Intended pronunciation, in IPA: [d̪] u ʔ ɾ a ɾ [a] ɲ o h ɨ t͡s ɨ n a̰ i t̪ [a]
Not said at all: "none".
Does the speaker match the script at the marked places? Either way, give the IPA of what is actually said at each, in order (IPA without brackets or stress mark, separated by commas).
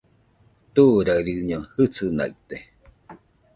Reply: t̪, i, e